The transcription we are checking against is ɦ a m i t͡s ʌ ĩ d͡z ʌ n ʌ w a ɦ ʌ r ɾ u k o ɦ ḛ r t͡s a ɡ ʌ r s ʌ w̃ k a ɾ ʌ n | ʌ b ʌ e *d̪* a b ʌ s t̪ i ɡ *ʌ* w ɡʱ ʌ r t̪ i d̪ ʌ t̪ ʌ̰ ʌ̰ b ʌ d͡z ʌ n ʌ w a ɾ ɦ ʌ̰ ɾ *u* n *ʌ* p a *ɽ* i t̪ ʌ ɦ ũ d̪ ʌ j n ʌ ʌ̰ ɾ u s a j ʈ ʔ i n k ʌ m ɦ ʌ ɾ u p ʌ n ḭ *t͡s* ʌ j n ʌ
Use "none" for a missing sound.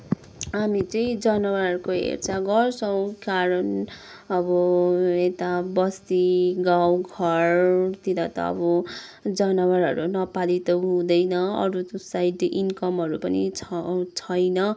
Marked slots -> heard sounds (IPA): t̪, a, u, ʌ, l, t͡sʰ

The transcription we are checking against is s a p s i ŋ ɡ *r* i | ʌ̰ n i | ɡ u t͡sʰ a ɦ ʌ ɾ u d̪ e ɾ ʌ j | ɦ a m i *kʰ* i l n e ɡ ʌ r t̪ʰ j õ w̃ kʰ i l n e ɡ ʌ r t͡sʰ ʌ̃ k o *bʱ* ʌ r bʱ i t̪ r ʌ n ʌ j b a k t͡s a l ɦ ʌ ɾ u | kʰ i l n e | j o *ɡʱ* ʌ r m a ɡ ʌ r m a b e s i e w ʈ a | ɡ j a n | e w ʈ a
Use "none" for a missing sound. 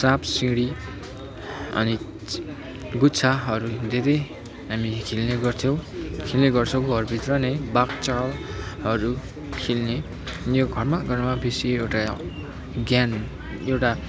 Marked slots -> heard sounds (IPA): ɽ, kʰ, ɡʱ, ɡʱ

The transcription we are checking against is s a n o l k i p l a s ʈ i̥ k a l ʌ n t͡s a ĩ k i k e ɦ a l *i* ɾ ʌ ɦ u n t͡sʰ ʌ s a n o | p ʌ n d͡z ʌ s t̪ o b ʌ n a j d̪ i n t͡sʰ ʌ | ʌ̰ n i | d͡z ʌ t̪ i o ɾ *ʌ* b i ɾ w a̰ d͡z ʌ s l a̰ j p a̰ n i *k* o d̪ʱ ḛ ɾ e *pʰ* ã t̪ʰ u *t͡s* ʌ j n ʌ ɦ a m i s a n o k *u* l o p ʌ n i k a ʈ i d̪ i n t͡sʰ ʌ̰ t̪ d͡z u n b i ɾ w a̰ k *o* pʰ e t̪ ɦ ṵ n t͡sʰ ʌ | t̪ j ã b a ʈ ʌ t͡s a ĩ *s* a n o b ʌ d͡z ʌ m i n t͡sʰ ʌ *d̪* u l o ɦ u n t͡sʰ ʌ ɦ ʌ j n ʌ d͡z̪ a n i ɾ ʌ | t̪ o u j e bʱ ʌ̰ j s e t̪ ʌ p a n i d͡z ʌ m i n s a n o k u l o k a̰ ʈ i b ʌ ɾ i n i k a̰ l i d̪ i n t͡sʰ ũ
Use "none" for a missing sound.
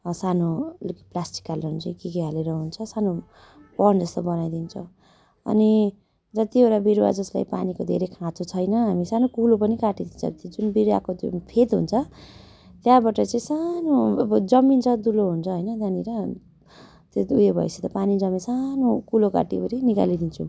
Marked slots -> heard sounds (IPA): e, a, k, kʰ, t͡sʰ, u, o, s, d̪

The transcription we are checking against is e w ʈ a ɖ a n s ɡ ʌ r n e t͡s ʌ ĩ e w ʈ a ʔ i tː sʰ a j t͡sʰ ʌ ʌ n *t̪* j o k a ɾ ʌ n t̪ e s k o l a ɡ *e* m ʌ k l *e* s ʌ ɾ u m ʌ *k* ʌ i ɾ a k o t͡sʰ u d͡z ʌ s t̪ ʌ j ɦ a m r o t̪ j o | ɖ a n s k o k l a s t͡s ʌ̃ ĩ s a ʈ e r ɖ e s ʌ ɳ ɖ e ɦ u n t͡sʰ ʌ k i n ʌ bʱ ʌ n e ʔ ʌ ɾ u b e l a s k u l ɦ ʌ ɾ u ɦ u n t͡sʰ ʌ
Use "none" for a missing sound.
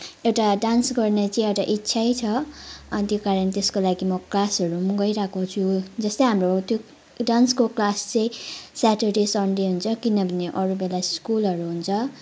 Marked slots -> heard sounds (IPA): t̪, i, a, ɡ

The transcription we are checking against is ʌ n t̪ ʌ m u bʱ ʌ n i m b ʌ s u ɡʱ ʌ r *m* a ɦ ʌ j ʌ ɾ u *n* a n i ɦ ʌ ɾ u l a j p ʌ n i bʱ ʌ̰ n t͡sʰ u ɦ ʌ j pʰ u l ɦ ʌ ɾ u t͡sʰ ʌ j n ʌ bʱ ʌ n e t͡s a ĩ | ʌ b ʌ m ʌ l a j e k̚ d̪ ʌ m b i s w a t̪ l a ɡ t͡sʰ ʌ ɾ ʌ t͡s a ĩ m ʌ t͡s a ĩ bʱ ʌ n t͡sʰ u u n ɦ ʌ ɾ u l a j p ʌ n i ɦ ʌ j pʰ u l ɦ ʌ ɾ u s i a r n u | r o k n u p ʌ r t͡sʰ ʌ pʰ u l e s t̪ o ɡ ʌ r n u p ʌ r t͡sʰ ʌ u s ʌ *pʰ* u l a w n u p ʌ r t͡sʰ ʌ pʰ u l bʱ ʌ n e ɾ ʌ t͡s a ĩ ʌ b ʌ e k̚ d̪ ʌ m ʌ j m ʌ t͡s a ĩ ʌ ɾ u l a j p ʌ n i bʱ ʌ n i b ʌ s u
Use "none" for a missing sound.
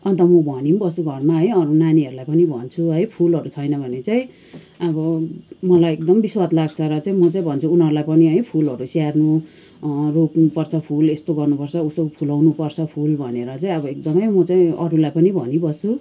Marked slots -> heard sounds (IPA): m, n, pʰ

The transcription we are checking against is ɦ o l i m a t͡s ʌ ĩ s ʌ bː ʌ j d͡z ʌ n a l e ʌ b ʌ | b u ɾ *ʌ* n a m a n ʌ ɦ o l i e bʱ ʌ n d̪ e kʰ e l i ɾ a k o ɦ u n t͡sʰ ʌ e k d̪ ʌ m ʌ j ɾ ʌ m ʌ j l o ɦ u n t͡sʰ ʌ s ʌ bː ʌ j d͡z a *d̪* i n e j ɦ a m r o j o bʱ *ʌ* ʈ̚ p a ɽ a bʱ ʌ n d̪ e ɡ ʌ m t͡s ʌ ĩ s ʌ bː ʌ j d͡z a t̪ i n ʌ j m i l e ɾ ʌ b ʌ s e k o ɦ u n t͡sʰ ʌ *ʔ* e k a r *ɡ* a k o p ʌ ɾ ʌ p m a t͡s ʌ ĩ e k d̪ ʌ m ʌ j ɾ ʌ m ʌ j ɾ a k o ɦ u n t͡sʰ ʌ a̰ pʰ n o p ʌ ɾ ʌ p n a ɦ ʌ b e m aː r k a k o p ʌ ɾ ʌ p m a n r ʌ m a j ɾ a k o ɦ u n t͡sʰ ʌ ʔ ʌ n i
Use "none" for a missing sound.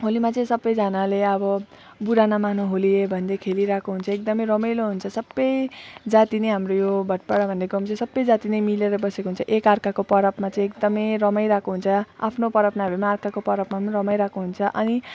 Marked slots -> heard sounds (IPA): a, t̪, ʌ, ʔ, k

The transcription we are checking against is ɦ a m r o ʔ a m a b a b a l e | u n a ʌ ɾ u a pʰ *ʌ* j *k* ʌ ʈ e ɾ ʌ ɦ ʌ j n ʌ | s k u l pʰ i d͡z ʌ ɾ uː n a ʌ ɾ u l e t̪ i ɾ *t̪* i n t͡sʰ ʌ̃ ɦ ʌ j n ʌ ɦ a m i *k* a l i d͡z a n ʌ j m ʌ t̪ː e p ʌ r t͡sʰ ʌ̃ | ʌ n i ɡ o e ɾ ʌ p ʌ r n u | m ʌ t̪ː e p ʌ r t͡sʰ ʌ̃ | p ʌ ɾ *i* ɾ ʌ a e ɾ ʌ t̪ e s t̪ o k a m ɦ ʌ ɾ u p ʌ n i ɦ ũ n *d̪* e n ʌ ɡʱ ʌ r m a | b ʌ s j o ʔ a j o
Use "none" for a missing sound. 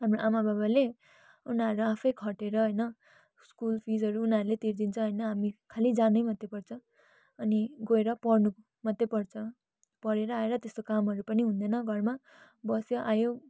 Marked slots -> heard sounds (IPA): ʌ, kʰ, d̪, kʰ, e, d̪

